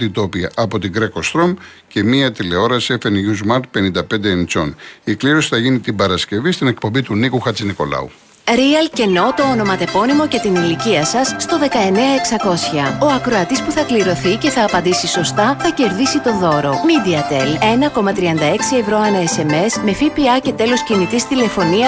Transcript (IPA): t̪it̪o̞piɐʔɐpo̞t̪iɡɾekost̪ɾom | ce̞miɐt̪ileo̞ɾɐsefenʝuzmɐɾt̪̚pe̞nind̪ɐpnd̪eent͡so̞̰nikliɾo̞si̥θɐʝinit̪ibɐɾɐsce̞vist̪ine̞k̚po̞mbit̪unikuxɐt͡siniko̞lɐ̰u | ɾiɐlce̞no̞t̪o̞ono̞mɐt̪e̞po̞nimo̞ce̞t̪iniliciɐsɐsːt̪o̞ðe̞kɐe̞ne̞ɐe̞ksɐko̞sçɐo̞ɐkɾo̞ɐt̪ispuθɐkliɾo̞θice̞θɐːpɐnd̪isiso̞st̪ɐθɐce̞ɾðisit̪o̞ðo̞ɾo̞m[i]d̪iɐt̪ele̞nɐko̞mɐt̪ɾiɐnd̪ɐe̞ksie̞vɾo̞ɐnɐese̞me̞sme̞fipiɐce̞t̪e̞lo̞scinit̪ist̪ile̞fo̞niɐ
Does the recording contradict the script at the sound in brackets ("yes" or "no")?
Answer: no